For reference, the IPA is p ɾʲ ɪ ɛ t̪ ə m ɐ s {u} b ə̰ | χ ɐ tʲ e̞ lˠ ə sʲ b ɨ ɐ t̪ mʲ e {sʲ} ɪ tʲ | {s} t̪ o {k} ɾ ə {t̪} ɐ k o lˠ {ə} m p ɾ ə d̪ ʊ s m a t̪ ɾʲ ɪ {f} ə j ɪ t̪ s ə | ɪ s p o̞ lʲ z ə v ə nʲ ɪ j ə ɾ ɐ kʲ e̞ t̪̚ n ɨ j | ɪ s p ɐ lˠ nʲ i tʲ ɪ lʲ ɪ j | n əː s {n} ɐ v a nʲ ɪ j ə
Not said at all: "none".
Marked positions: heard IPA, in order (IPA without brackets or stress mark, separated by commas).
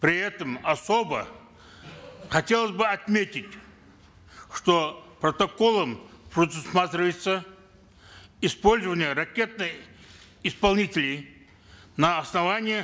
o, tʲ, ʂ, p, t̪, ə, v, n